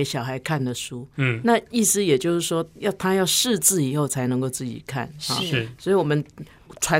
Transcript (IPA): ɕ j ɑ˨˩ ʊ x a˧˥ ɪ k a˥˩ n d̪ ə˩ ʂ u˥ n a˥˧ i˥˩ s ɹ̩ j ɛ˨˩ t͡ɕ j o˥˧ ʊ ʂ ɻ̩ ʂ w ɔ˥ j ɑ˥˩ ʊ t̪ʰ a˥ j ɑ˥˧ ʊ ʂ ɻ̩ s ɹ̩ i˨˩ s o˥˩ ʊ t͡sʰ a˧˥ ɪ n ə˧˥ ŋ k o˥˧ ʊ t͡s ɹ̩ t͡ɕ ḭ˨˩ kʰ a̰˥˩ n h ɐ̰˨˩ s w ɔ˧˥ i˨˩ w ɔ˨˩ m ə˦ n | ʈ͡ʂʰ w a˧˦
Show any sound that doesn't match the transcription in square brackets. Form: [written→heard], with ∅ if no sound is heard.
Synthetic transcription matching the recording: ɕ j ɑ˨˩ ʊ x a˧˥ ɪ [k→kʰ] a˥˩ n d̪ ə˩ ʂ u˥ n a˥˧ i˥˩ s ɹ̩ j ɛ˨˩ t͡ɕ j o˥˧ ʊ ʂ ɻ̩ ʂ w ɔ˥ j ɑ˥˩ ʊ t̪ʰ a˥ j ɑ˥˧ ʊ ʂ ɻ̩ [s→t͡s] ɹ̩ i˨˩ [s→x] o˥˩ ʊ t͡sʰ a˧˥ ɪ n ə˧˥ ŋ k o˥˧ ʊ t͡s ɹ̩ t͡ɕ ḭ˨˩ kʰ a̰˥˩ n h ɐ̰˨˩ s w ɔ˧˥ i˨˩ w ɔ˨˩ m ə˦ n | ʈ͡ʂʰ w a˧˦